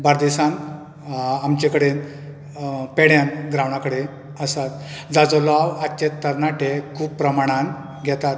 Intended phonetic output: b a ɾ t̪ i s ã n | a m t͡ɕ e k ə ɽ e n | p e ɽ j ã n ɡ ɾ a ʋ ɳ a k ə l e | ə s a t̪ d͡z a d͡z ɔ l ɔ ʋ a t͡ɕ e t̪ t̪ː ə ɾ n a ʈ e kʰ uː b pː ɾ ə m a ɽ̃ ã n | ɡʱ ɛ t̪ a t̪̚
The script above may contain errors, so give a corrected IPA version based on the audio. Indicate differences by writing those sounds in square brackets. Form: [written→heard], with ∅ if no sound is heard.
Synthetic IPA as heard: b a ɾ [t̪→d̪] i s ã n | a m t͡ɕ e k ə ɽ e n | p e ɽ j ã n ɡ ɾ a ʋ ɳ a k ə [l→ɽ] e | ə s a t̪ d͡z a d͡z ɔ l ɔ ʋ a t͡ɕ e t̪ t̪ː ə ɾ n a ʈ e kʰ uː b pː ɾ ə m a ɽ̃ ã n | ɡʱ ɛ t̪ a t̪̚